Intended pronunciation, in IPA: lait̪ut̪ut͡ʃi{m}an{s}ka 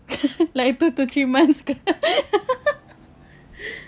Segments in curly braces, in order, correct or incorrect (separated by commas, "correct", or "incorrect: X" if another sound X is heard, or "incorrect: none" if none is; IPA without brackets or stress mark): correct, correct